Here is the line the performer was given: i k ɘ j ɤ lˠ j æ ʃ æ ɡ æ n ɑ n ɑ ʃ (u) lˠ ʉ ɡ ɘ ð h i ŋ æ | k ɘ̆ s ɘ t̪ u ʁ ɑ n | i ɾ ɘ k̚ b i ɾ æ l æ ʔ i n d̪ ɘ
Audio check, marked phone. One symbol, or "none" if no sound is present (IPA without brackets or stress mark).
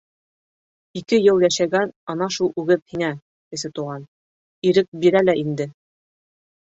u